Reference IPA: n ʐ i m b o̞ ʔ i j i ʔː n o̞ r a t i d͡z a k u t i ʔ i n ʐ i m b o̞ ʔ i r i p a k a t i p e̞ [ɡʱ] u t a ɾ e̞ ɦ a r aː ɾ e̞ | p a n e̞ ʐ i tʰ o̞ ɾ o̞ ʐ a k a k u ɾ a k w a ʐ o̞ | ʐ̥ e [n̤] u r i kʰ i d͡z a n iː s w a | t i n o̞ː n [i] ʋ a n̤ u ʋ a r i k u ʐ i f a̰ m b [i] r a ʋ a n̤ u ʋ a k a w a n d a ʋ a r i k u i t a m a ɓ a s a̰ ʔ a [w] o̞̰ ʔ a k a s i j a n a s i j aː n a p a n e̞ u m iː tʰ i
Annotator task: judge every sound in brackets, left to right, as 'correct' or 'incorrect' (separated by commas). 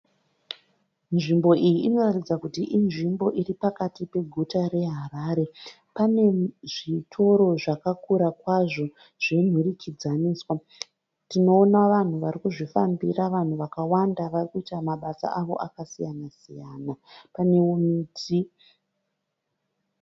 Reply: correct, correct, incorrect, correct, incorrect